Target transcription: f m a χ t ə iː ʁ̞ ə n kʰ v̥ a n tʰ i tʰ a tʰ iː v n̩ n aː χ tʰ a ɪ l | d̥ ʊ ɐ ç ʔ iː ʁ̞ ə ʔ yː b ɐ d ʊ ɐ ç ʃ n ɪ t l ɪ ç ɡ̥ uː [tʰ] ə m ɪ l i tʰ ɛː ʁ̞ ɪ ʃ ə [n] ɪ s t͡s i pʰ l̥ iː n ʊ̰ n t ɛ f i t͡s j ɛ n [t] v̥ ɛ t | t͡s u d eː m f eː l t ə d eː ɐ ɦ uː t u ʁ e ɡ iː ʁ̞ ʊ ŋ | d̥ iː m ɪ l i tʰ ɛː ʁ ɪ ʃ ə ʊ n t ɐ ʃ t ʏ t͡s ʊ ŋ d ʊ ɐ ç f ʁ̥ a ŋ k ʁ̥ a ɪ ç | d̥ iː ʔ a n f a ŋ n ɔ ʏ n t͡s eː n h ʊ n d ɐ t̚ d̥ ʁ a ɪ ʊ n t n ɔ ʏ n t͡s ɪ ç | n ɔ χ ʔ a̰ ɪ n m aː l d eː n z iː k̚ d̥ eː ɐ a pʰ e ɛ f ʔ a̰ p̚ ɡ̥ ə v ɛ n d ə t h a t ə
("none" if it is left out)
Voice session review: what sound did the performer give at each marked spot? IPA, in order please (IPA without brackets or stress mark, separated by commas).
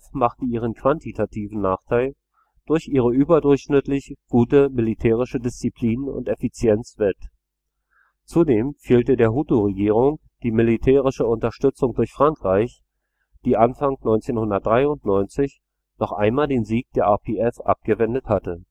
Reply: t, d, t͡s